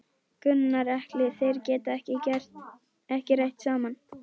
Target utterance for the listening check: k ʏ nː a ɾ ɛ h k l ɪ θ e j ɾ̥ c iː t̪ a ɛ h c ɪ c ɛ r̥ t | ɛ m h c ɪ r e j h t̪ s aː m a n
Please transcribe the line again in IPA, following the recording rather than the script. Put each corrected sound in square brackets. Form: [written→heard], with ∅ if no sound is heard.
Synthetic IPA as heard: k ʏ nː a ɾ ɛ h k l ɪ θ e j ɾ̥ c [iː→ɛː] t̪ a ɛ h c ɪ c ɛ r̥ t | ɛ [m→∅] h c ɪ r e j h t̪ s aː m a n

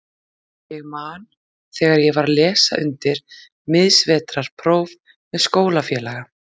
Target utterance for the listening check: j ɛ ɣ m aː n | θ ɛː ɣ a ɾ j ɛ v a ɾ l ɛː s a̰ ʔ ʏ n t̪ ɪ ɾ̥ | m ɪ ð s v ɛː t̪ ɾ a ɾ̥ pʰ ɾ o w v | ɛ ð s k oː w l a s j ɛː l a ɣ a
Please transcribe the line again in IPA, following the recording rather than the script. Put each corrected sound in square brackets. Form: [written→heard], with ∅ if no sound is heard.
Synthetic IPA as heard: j ɛ ɣ m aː n | θ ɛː ɣ a ɾ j ɛ v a ɾ l ɛː s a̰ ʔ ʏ n t̪ ɪ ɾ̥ | m ɪ ð s v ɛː t̪ ɾ a ɾ̥ pʰ ɾ o w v | ɛ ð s k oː w l a [s→f] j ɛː l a ɣ a

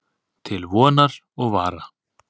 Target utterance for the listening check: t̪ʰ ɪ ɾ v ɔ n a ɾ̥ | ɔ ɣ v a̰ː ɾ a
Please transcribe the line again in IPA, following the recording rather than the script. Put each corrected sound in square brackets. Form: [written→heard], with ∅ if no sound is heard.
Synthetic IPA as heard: t̪ʰ ɪ [ɾ→l] v [ɔ→ɔː] n a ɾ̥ | ɔ ɣ v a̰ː ɾ a

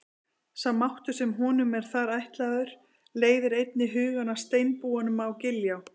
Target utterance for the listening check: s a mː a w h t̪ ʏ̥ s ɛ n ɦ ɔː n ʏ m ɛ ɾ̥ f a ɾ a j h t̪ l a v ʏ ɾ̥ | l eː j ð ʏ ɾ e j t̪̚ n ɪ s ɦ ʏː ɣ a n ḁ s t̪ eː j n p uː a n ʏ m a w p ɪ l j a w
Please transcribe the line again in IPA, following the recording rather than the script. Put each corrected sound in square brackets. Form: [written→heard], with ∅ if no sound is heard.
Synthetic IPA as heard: s a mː a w h t̪ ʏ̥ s ɛ [n→m] ɦ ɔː n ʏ m ɛ ɾ̥ [f→θ] a ɾ a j h t̪ l a [v→ð] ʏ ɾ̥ | l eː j ð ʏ ɾ e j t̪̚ n ɪ [s→∅] ɦ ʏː ɣ a n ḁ s t̪ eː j n p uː a n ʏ m a w [p→c] ɪ l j a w

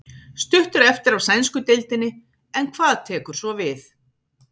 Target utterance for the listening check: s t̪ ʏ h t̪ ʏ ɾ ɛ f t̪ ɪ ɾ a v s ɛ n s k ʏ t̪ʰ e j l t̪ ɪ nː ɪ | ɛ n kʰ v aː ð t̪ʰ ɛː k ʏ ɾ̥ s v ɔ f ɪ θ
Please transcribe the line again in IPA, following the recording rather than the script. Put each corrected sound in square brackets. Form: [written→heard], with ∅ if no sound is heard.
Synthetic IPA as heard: s t̪ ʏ h t̪ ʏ ɾ ɛ f t̪ ɪ ɾ a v s ɛ n s k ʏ [t̪ʰ→t̪] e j l t̪ ɪ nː ɪ | ɛ n kʰ v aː ð t̪ʰ ɛː k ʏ ɾ̥ s v ɔ [f→v] ɪ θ

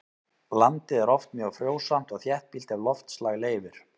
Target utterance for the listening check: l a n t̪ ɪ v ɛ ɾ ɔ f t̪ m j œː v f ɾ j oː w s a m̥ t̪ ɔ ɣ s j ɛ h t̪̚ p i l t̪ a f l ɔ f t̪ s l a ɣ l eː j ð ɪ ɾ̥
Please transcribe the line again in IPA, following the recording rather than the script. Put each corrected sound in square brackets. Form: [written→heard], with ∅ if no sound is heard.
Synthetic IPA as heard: l a n t̪ ɪ [v→ð] ɛ ɾ ɔ f t̪ m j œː [v→ɣ] f ɾ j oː w s a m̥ t̪ ɔ ɣ [s→θ] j ɛ h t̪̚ p i l t̪ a [f→v] l ɔ f t̪ s l a ɣ l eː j [ð→v] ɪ ɾ̥

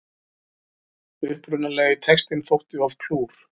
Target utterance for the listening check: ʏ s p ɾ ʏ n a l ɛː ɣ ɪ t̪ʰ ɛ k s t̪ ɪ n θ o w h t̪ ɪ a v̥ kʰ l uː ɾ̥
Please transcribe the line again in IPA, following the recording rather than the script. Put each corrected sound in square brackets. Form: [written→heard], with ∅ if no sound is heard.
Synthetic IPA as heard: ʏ [s→h] p ɾ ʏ n a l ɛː ɣ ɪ t̪ʰ ɛ k s t̪ ɪ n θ o w h t̪ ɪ a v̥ kʰ l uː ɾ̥

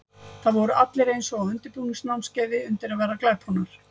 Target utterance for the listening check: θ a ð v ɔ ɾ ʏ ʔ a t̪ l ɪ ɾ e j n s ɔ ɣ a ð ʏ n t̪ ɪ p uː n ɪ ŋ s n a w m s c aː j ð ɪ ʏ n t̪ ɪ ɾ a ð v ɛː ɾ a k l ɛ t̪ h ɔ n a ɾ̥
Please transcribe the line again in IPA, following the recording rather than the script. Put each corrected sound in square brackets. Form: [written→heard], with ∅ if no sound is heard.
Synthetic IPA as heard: θ a ð v ɔ ɾ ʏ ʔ a t̪ l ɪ ɾ e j n s ɔ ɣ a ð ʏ n t̪ ɪ p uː n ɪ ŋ s n a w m s c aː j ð ɪ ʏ n t̪ ɪ ɾ a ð v ɛː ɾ a k l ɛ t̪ h ɔ n a ɾ̥

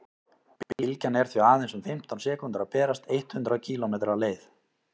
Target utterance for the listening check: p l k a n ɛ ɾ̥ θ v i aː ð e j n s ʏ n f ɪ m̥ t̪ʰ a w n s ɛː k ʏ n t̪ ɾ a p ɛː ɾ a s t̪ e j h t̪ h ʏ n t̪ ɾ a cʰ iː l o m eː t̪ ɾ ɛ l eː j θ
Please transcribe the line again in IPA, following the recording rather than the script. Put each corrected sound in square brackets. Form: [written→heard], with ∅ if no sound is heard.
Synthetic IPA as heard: p l [k→c] a n ɛ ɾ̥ θ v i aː ð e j n s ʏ [n→m] f ɪ m̥ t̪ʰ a w n s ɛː k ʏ n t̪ ɾ a p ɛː ɾ a s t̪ e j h t̪ h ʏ n t̪ ɾ a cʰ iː l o m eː t̪ ɾ [ɛ→a] l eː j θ

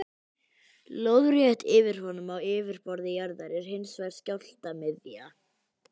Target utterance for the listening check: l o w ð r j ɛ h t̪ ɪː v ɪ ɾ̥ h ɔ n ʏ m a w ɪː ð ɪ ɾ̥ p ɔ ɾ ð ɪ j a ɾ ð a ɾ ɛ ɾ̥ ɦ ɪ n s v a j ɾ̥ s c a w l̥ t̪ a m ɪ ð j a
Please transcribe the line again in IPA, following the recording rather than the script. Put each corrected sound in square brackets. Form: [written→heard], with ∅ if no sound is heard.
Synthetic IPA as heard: l o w ð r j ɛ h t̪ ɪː v ɪ ɾ̥ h ɔ n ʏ m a w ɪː [ð→v] ɪ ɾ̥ p ɔ ɾ ð ɪ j a ɾ ð a ɾ ɛ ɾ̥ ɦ ɪ n s v a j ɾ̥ s c a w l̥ t̪ a m ɪ ð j a

